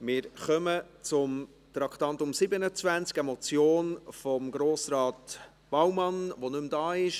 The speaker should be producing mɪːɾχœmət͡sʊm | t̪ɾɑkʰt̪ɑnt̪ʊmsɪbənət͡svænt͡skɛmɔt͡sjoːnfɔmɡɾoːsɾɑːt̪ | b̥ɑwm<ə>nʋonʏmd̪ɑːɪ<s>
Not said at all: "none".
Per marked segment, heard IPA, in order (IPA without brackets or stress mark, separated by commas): ɑ, ʃ